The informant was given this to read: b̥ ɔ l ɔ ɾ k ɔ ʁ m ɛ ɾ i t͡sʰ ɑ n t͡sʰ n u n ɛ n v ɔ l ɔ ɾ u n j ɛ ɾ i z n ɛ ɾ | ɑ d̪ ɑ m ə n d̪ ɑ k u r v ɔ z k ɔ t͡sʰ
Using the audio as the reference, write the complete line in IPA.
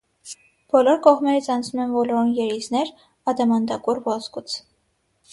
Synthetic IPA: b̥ ɔ l ɔ ɾ k ɔ ʁ m ɛ ɾ i t͡sʰ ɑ n t͡sʰ n u m ɛ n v ɔ l ɔ ɾ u n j ɛ ɾ i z n ɛ ɾ | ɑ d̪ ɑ m ɑ n d̪ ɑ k u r v ɔ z k u t͡sʰ